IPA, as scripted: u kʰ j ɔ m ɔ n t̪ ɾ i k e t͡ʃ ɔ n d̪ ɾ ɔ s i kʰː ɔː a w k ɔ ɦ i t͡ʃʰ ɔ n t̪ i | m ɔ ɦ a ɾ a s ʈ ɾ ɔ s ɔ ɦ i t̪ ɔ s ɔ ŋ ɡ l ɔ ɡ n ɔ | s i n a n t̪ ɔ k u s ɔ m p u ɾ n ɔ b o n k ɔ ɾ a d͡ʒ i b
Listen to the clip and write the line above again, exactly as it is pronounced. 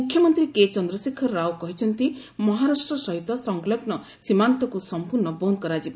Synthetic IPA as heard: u kʰ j ɔ m ɔ n t̪ ɾ i k e t͡ʃ ɔ n d̪ ɾ ɔ s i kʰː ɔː a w k ɔ ɦ i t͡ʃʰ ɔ n t̪ i | m ɔ ɦ a ɾ a s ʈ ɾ ɔ s ɔ ɦ i t̪ ɔ s ɔ ŋ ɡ l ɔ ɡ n ɔ | s i m a n t̪ ɔ k u s ɔ m p u ɾ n ɔ b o n k ɔ ɾ a d͡ʒ i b